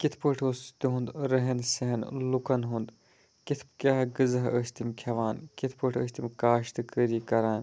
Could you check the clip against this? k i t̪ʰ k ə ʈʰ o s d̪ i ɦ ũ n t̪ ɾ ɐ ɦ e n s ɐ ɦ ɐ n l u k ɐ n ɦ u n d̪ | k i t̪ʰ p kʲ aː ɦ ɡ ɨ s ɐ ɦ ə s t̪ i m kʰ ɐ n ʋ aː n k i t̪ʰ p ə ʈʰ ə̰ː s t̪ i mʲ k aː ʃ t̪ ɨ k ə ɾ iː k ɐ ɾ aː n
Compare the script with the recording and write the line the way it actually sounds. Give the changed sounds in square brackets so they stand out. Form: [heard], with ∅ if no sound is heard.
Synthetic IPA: k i t̪ʰ [p] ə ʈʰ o s [t̪] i ɦ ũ n [d̪] ɾ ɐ ɦ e n s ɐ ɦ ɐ n l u k ɐ n ɦ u n d̪ | k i t̪ʰ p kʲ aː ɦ ɡ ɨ [z] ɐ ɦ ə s t̪ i m kʰ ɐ [∅] ʋ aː n k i t̪ʰ p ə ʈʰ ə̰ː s t̪ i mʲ k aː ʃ t̪ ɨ k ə ɾ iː k ɐ ɾ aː n